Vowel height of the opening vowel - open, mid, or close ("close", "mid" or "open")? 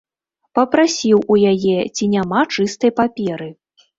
open